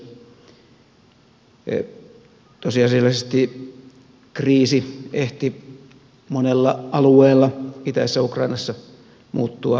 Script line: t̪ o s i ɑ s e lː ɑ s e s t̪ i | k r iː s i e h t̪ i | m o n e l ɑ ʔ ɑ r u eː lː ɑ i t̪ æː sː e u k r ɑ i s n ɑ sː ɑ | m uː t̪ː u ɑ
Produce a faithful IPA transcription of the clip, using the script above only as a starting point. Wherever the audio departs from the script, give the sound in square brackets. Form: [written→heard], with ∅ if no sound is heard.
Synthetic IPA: t̪ o s i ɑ s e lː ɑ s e s t̪ i | k r iː s i e h t̪ i | m o n e [l→lː] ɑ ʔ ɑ [r→l] u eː lː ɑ i t̪ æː sː [e→æ] u k r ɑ i [s→∅] n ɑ sː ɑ | m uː t̪ː u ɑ